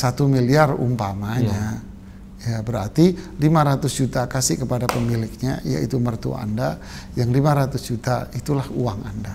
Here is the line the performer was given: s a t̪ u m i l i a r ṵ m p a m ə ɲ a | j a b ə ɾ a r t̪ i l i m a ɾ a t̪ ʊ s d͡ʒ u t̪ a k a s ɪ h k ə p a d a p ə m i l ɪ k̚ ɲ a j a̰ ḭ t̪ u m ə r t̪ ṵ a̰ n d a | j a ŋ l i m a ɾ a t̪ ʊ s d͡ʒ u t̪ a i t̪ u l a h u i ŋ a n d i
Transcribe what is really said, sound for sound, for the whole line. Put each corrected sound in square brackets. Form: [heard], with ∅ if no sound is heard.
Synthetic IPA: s a t̪ u m i l i a r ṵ m p a m [a] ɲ a | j a b ə ɾ a r t̪ i l i m a ɾ a t̪ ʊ s d͡ʒ u t̪ a k a s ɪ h k ə p a d a p ə m i l ɪ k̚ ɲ a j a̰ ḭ t̪ u m ə r t̪ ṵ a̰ n d a | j a ŋ l i m a ɾ a t̪ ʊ s d͡ʒ u t̪ a i t̪ u l a h u [a] ŋ a n d [a]